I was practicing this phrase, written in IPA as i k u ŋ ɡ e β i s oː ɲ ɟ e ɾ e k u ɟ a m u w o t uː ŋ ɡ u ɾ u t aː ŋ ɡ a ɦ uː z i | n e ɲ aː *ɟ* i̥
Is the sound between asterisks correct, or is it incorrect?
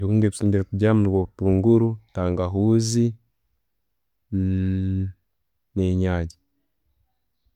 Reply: correct